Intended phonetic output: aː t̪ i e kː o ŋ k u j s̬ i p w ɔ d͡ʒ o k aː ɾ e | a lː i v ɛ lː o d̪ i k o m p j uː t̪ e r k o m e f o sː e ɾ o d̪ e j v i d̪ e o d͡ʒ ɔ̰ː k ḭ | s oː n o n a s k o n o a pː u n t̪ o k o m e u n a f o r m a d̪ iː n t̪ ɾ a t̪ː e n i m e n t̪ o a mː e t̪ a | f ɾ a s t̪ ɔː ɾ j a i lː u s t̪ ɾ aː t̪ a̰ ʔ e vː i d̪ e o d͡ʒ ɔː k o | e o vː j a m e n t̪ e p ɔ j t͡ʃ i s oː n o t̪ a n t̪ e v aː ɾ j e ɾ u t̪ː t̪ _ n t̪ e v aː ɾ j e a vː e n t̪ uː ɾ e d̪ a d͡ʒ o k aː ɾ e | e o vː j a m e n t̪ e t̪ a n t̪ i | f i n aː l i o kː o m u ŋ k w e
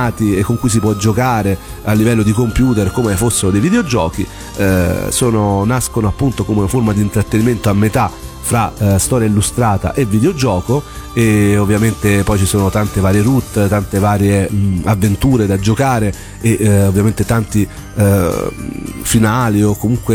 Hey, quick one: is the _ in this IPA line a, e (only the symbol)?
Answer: a